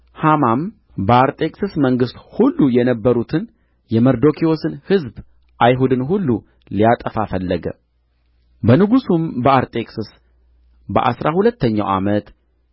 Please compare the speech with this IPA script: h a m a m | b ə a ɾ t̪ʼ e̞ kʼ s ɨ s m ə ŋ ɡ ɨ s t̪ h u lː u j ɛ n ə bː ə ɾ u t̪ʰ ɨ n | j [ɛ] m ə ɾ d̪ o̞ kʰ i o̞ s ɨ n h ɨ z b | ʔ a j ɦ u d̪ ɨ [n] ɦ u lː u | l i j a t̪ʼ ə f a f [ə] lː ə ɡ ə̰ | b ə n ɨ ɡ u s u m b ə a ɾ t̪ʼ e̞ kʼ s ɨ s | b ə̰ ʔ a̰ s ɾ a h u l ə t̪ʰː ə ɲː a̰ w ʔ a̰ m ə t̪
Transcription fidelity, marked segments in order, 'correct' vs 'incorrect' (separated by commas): correct, correct, correct